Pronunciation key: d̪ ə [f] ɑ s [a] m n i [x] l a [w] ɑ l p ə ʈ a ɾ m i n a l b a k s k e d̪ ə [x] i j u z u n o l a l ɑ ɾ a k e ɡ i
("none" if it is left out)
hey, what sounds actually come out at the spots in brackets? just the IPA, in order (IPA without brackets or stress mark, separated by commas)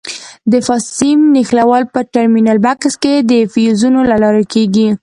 f, i, x, w, f